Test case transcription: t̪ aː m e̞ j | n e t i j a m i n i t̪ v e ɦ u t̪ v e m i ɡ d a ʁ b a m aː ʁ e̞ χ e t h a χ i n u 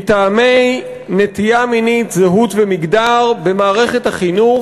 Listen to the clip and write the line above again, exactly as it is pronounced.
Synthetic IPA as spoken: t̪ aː m e̞ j | n e t i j a m i n i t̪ z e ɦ u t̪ v e m i ɡ d a ʁ b e m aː ʁ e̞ χ e t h a χ i n u